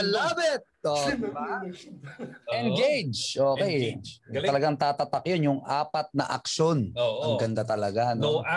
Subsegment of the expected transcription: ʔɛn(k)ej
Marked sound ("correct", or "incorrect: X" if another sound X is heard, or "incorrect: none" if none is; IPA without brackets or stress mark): incorrect: ɡ